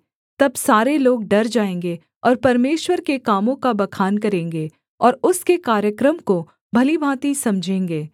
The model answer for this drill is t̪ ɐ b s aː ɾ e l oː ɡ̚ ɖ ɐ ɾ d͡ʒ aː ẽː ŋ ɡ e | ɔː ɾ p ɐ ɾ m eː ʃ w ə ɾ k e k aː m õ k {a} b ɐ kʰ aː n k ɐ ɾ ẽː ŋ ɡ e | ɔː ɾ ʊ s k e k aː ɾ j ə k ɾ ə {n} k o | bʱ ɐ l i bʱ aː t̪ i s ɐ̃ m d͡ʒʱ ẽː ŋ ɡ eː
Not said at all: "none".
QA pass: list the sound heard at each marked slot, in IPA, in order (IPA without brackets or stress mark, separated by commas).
a, m